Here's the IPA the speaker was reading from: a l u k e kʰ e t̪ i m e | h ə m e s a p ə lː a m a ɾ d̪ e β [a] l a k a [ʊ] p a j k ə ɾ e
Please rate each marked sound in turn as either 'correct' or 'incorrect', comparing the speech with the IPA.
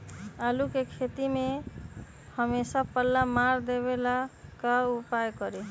incorrect, incorrect

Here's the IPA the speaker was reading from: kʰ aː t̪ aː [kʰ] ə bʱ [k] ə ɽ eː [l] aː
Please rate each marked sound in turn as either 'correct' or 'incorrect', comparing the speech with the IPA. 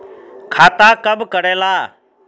incorrect, correct, correct

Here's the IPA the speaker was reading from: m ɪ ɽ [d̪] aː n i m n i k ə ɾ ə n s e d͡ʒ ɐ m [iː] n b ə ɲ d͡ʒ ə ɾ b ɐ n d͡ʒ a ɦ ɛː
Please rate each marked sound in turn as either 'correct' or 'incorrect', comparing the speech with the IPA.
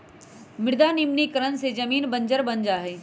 correct, correct

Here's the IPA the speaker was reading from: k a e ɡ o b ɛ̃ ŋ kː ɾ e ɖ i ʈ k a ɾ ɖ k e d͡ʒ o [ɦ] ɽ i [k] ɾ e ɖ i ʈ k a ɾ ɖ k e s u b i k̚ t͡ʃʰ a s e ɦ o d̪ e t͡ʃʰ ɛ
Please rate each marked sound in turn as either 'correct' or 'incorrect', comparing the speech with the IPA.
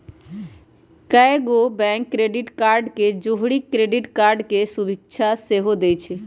correct, correct

